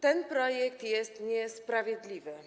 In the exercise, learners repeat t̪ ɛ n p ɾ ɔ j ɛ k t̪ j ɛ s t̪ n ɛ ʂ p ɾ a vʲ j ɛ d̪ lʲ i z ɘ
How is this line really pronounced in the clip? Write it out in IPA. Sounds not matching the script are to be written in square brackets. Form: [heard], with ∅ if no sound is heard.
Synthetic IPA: t̪ ɛ n p ɾ ɔ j ɛ k t̪ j ɛ s t̪ [ɲ] ɛ [s] p ɾ a vʲ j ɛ d̪ lʲ i [v] ɘ